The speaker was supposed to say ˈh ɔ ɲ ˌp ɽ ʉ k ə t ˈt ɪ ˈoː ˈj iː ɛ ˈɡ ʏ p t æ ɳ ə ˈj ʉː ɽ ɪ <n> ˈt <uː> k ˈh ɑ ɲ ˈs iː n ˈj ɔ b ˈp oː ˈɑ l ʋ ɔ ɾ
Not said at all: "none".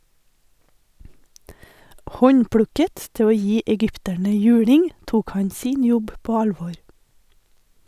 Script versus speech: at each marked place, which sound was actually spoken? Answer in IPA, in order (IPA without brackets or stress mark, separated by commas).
ŋ, uː